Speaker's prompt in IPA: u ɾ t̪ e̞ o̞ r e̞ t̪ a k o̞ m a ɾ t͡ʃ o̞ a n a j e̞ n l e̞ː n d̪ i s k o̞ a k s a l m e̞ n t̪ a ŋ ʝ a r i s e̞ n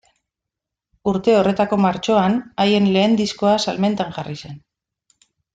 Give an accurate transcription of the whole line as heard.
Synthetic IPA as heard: u ɾ t̪ e̞ o̞ r e̞ t̪ a k o̞ m a ɾ t͡ʃ o̞ a n a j e̞ n l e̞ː n d̪ i s k o̞ a s a l m e̞ n t̪ a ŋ ʝ a r i s e̞ n